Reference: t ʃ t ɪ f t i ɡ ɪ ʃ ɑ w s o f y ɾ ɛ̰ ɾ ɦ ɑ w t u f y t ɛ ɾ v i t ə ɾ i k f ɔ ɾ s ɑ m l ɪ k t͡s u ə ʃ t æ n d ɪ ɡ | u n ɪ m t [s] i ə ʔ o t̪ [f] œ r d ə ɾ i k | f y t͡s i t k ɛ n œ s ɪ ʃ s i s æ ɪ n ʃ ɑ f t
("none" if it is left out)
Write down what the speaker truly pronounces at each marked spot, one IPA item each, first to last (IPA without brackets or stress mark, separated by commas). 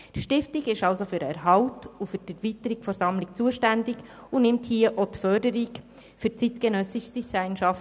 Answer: h, f